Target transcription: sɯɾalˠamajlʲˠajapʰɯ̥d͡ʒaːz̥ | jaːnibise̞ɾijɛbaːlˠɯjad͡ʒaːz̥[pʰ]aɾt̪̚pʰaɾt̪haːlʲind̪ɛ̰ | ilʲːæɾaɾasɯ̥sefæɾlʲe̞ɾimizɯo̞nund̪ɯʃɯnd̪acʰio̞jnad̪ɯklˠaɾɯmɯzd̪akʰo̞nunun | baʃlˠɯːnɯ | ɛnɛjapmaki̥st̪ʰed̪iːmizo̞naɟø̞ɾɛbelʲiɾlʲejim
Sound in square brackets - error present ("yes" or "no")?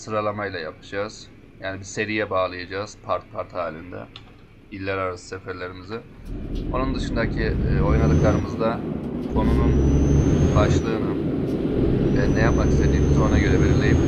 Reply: no